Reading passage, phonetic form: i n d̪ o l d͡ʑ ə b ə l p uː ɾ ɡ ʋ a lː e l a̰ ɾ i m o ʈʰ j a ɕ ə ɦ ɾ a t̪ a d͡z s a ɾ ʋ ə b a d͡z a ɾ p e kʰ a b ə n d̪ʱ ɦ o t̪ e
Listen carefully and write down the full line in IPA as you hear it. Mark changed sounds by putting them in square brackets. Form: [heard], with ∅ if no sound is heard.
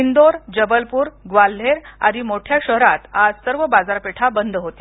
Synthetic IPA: i n d̪ o [ɾ] d͡ʑ ə b ə l p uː ɾ ɡ ʋ a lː e [ɾ] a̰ ɾ i m o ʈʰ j a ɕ ə ɦ ɾ a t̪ a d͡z s [ə] ɾ ʋ ə b a d͡z a ɾ p e [ʈʰ] a b ə n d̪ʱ ɦ o t̪ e